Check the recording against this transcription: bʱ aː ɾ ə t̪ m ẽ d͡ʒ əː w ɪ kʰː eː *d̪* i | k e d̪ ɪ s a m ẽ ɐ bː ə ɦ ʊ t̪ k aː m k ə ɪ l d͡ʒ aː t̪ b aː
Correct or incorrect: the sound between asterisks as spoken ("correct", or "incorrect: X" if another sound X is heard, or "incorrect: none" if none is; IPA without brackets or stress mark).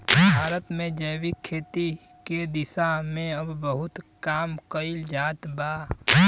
incorrect: t̪